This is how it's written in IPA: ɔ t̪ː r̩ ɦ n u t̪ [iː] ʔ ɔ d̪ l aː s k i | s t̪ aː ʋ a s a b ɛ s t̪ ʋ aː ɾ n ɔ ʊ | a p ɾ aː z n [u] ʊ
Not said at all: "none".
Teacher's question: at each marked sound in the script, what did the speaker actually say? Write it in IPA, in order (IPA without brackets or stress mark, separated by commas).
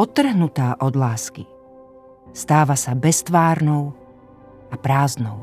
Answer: aː, ɔ